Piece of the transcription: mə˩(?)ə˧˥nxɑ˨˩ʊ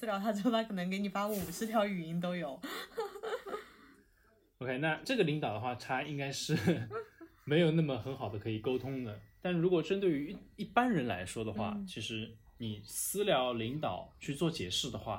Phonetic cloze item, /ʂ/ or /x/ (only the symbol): x